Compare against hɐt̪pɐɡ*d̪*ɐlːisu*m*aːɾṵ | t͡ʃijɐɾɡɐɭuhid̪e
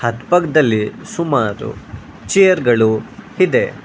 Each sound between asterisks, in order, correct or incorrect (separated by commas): correct, correct